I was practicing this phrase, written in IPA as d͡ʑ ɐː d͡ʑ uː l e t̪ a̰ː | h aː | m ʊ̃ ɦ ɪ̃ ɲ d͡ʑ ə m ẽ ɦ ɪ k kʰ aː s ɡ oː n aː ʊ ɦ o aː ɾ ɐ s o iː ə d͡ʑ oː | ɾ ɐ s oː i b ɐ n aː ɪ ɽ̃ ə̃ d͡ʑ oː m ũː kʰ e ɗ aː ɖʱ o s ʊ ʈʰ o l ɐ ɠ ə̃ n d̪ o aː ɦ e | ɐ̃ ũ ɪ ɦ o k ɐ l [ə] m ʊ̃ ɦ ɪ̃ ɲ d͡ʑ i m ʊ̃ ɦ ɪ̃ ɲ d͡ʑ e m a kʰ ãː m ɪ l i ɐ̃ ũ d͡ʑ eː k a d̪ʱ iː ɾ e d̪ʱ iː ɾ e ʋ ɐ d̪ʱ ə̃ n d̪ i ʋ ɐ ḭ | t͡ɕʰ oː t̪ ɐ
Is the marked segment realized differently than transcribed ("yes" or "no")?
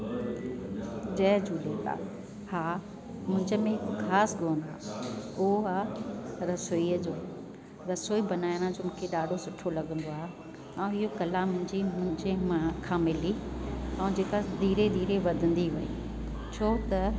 yes